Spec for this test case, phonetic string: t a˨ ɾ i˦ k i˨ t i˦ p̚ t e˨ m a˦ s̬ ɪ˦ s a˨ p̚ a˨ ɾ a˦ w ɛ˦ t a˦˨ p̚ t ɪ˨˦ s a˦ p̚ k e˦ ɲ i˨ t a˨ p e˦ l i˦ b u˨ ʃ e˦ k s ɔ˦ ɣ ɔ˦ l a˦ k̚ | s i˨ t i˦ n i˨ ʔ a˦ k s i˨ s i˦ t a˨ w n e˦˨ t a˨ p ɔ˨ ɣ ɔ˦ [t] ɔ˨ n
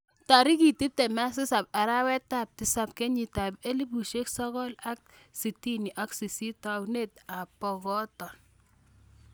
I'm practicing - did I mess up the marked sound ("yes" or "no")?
no